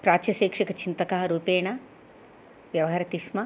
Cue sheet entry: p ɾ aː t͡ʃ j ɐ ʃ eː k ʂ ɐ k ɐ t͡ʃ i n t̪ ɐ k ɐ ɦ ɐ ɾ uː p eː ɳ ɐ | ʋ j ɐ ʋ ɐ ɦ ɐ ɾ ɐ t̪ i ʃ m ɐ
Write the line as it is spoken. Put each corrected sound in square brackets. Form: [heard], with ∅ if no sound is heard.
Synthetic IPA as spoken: p ɾ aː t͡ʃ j ɐ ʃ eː k ʂ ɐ k ɐ t͡ʃ i n t̪ ɐ k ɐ ɦ ɐ ɾ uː p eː ɳ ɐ | ʋ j ɐ ʋ ɐ ɦ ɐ ɾ ɐ t̪ i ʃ m ɐ